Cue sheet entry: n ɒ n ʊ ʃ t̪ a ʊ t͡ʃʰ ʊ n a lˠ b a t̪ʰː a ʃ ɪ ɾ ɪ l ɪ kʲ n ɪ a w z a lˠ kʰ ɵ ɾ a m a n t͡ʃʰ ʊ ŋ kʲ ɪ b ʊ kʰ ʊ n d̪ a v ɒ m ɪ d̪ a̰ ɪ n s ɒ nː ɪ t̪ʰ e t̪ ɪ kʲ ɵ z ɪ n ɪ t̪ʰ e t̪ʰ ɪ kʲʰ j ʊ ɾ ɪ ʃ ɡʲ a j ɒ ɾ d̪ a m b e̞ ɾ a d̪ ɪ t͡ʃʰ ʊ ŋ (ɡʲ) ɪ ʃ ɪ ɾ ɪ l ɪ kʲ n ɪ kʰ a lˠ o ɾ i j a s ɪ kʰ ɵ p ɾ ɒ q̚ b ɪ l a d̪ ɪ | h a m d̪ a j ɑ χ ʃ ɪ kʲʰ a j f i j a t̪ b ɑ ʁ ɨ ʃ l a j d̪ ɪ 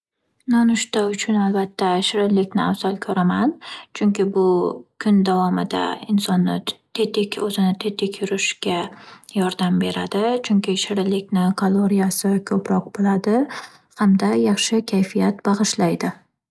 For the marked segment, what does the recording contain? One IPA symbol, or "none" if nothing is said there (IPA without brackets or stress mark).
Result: kʲ